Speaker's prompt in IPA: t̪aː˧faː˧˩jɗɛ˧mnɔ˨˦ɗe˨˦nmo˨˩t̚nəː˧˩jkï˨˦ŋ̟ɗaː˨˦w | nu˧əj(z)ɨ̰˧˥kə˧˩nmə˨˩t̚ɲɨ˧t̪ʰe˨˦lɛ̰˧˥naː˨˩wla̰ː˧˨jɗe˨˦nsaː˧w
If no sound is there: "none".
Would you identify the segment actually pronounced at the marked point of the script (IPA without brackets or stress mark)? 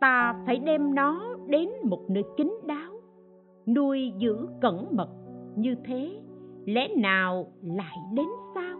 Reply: z